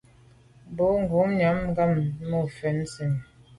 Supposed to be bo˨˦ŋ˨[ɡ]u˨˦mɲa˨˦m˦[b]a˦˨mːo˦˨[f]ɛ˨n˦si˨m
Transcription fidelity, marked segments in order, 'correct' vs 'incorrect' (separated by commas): correct, incorrect, correct